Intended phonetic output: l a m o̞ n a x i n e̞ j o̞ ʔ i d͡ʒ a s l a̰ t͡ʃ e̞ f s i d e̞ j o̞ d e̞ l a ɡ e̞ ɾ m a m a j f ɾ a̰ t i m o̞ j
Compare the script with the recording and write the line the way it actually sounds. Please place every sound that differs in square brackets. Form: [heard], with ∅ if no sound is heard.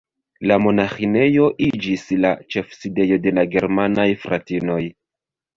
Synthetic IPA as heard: l a m o̞ n a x i n e̞ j o̞ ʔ i d͡ʒ [i] s l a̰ t͡ʃ e̞ f s i d e̞ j o̞ d e̞ l a ɡ e̞ ɾ m a [n] a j f ɾ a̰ t i [n] o̞ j

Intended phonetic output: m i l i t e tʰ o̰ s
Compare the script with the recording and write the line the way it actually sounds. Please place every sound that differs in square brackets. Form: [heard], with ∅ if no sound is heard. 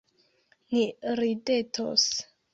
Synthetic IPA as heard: [n] i [ɾ] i [d] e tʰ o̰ s

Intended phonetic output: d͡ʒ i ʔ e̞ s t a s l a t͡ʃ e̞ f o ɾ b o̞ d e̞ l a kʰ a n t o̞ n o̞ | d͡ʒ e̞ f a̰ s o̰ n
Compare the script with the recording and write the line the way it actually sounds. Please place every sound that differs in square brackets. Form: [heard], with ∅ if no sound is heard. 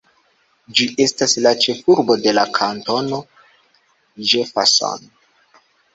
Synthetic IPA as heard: d͡ʒ i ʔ e̞ s t a s l a t͡ʃ e̞ f [u] ɾ b o̞ d e̞ l a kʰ a n t o̞ n o̞ | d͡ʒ e̞ f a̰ s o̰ n

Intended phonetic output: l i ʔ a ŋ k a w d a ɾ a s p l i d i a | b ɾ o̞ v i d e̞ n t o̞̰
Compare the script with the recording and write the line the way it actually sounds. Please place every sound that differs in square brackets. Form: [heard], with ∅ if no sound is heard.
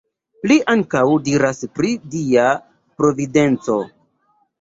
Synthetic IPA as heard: l i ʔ a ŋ k a w d [i] ɾ a s p [ɾ] i d i a | [p] ɾ o̞ v i d e̞ n [t͡s] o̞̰

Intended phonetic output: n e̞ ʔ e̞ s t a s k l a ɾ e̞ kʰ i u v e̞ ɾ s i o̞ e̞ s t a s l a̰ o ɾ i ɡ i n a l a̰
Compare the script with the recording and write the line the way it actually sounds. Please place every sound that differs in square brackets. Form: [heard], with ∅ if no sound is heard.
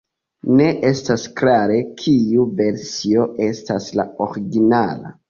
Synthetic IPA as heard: n e̞ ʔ e̞ s t a s k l a ɾ e̞ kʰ i u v e̞ ɾ s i o̞ e̞ s t a s l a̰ o ɾ i ɡ i n a l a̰

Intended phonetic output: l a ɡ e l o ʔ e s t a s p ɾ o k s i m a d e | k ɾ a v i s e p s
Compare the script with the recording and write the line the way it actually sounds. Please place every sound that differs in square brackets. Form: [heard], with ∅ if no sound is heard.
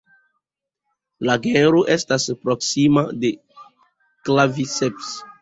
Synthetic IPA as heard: l a ɡ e [ɾ] o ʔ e s t a s p ɾ o k s i m a d e | k [l] a v i s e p s

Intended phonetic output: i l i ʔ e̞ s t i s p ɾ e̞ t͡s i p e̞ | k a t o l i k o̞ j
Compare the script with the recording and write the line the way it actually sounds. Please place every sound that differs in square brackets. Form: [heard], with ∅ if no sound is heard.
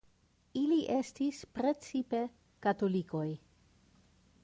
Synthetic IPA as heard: i l i ʔ e̞ s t i s p ɾ e̞ t͡s i p e̞ | k a t o l i k o̞ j

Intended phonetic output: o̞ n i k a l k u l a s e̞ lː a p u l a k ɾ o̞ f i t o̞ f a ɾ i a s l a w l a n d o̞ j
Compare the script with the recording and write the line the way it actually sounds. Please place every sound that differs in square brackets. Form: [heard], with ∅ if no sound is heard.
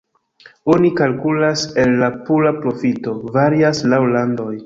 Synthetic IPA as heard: o̞ n i k a l k u l a s e̞ lː a p u l a [p] ɾ o̞ f i t o̞ [v] a ɾ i a s l a w l a n d o̞ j

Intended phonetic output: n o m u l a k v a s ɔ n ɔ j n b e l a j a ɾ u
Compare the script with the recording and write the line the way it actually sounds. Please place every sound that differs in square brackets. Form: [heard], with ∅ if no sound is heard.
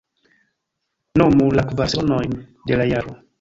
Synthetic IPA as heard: n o m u l a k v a s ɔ n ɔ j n [d] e l a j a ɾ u

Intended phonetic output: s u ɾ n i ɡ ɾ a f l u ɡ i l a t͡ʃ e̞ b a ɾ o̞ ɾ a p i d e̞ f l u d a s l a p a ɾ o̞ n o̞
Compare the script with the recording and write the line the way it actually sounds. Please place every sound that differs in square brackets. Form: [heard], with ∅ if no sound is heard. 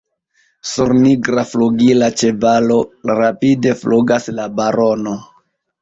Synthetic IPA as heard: s u ɾ n i ɡ ɾ a f l u ɡ i l a t͡ʃ e̞ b a [l] o̞ ɾ a p i d e̞ f l u [ɡ] a s l a [b] a ɾ o̞ n o̞

